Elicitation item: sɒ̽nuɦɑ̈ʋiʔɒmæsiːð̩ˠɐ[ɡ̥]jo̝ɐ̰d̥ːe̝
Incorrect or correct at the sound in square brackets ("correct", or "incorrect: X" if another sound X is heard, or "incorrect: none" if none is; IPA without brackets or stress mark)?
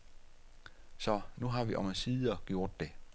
correct